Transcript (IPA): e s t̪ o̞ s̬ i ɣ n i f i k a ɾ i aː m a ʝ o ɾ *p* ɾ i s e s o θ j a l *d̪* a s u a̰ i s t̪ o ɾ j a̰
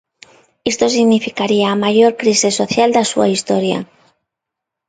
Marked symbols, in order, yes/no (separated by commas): no, yes